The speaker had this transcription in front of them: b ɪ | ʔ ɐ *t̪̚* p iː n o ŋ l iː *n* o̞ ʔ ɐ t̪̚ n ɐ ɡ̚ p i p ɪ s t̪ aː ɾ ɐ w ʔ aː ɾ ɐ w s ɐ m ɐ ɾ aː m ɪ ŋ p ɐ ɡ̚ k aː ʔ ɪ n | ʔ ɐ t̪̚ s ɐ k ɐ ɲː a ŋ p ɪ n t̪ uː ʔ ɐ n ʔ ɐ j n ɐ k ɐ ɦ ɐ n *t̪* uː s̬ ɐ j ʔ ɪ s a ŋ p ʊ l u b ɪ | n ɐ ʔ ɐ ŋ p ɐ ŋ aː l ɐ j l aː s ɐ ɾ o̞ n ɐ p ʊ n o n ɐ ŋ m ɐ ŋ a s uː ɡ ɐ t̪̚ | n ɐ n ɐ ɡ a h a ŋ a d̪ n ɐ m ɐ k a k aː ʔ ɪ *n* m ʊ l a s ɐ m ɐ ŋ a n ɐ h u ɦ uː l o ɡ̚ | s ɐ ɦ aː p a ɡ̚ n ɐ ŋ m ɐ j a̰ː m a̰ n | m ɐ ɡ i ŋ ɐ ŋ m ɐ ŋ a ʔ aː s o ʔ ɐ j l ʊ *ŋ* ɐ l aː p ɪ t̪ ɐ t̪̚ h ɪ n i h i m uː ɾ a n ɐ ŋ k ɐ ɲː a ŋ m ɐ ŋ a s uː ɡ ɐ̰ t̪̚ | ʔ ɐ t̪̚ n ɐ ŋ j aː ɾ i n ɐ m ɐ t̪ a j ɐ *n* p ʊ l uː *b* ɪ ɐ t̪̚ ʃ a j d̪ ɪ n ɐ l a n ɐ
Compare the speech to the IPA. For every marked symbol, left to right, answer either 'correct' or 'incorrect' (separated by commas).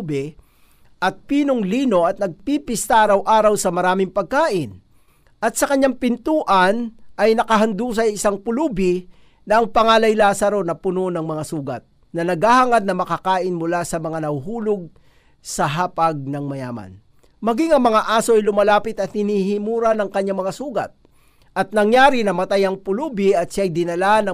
correct, correct, incorrect, correct, incorrect, incorrect, correct